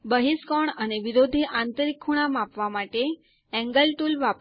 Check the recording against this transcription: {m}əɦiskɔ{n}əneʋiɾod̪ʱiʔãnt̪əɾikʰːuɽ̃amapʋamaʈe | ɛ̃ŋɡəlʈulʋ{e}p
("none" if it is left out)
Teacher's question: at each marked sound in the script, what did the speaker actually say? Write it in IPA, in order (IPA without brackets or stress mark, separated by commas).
b, ɳ, a